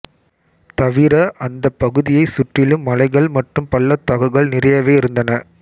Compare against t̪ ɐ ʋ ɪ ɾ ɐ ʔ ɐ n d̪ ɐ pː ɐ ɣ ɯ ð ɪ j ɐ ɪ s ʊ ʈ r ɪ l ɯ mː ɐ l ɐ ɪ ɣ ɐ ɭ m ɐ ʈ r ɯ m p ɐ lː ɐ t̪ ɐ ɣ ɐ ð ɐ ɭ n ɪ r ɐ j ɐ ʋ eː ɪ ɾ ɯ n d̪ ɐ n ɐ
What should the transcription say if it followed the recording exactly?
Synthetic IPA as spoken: t̪ ɐ ʋ ɪ ɾ ɐ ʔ ɐ n d̪ ɐ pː ɐ ɣ ɯ ð ɪ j ɐ ɪ s ʊ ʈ r ɪ l ɯ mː ɐ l ɐ ɪ ɣ ɐ ɭ m ɐ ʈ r ɯ m p ɐ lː ɐ t̪ ɐ ɣ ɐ ɣ ɐ ɭ n ɪ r ɐ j ɐ ʋ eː ɪ ɾ ɯ n d̪ ɐ n ɐ